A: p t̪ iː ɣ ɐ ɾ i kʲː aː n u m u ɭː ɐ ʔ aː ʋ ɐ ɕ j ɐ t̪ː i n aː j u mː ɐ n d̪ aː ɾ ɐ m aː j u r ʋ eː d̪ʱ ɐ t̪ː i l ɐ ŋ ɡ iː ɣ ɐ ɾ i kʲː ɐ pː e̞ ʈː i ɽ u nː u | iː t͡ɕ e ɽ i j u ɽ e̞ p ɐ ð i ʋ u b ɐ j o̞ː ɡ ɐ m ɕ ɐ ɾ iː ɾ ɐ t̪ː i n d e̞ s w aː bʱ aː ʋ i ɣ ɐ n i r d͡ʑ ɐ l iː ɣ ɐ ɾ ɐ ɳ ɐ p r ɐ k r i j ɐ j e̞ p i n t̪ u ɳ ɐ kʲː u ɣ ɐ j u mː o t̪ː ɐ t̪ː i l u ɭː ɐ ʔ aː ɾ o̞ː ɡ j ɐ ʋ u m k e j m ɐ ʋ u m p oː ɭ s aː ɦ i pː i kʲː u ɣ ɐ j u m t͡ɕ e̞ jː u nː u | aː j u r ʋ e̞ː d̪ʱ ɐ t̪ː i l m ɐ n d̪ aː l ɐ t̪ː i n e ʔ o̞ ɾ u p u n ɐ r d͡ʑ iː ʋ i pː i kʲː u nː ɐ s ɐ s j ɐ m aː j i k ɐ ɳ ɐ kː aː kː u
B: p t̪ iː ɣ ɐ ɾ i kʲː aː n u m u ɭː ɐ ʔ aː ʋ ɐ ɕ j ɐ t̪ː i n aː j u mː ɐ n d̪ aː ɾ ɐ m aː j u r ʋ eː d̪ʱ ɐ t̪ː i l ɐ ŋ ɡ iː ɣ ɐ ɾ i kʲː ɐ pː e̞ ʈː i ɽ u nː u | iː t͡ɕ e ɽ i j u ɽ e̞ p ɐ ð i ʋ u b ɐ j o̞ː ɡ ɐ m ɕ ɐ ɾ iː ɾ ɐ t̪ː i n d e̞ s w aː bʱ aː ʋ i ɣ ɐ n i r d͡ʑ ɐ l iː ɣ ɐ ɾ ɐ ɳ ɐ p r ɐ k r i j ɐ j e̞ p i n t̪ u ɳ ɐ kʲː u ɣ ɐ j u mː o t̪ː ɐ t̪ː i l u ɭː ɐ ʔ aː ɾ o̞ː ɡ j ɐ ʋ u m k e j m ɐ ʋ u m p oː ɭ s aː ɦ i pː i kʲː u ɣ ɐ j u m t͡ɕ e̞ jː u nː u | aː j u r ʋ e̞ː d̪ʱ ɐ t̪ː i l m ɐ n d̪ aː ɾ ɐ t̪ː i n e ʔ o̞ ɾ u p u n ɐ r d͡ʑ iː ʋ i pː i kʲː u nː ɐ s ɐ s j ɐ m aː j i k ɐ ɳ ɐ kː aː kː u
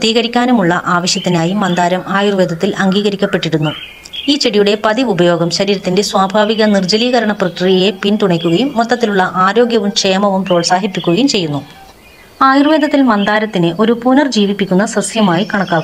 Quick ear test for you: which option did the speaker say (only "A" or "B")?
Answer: B